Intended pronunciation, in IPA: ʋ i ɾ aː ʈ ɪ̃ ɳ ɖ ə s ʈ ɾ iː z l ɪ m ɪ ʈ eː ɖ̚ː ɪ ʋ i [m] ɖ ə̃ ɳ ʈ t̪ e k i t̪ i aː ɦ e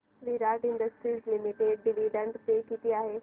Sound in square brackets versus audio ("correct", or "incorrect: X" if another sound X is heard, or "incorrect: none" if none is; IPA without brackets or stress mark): incorrect: none